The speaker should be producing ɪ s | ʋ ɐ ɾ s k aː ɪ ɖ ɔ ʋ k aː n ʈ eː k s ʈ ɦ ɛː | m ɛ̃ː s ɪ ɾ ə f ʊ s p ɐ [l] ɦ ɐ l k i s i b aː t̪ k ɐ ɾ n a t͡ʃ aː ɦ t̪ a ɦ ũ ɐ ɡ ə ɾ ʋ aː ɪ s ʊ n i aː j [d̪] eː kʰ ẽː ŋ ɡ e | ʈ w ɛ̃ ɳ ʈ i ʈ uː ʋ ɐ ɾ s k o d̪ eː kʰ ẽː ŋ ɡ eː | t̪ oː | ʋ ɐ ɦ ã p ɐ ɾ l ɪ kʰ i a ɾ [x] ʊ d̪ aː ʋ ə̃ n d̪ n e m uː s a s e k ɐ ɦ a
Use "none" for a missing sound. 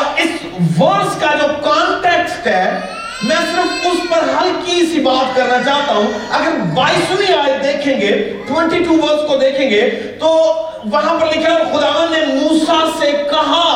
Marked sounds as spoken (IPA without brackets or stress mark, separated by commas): ɾ, d̪, x